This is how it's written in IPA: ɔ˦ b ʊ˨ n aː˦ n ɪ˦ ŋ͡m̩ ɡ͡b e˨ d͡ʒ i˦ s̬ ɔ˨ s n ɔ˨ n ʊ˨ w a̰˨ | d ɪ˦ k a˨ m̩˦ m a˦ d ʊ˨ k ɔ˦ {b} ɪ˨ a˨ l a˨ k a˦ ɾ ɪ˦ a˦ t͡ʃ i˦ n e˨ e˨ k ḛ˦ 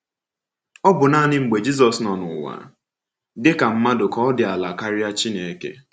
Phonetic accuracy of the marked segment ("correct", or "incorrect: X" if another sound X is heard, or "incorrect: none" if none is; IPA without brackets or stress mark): incorrect: d